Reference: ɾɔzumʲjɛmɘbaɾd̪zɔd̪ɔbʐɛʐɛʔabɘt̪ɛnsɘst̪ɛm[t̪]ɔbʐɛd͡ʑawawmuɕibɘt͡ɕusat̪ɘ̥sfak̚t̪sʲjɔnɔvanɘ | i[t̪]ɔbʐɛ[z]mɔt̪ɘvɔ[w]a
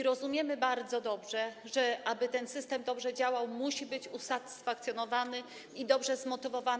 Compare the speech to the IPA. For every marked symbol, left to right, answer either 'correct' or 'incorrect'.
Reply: incorrect: d̪, incorrect: d̪, correct, incorrect: v

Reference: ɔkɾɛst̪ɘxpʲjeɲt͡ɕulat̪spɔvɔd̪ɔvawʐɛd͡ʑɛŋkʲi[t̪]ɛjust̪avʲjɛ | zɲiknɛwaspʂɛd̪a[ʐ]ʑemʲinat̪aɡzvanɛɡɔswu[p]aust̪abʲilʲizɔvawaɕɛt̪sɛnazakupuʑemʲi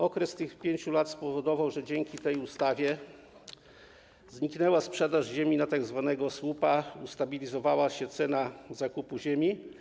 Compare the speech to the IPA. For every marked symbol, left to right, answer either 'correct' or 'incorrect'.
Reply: correct, correct, correct

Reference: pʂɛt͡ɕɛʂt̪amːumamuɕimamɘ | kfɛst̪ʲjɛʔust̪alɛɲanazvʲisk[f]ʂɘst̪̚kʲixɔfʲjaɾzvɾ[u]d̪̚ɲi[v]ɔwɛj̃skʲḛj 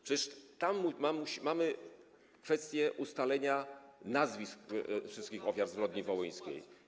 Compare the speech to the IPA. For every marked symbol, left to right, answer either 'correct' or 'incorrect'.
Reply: correct, incorrect: ɔ, correct

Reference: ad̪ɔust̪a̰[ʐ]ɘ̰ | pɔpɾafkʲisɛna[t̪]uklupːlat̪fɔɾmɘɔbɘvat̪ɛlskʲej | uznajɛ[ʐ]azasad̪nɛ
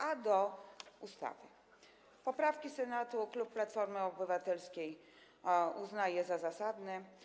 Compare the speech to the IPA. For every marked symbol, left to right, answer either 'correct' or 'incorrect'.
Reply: incorrect: v, correct, incorrect: z

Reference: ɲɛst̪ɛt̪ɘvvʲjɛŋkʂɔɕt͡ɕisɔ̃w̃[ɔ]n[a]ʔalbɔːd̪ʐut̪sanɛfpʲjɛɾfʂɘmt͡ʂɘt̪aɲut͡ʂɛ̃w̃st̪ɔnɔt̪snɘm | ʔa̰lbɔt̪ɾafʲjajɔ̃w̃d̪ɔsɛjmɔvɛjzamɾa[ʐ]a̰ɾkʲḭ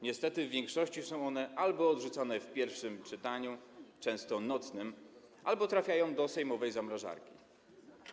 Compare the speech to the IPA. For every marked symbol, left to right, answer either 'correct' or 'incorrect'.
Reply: correct, incorrect: ɛ, correct

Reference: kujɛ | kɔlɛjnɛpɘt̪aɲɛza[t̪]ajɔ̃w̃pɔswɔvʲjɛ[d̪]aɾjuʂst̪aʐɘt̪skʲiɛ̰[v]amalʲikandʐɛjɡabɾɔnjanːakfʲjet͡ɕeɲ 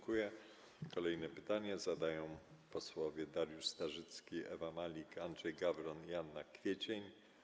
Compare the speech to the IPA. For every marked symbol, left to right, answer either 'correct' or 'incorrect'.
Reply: incorrect: d̪, correct, correct

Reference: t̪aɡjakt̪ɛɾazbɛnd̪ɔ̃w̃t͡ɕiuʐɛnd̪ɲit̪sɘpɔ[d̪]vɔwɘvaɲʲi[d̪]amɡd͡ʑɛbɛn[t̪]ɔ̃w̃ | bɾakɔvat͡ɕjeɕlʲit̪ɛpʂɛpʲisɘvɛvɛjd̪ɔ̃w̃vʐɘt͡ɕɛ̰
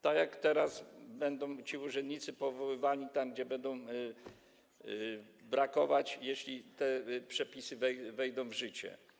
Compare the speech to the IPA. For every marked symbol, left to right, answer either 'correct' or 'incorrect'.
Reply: incorrect: none, incorrect: t̪, incorrect: d̪

